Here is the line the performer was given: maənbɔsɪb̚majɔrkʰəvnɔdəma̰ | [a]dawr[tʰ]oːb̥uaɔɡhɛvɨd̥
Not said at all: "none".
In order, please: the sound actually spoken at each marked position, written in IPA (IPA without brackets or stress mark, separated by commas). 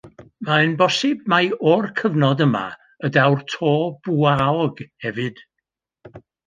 ə, tʰ